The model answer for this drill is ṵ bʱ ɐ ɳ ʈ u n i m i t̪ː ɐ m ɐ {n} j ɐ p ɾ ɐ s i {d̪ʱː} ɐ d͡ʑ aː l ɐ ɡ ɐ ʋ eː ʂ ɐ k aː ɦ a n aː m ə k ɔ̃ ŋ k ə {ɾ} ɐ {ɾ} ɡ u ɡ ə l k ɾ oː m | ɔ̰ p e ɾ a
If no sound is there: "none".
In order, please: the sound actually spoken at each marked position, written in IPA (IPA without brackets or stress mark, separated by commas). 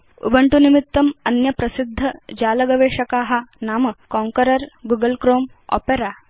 n, d̪ʱː, ɾ, ɾ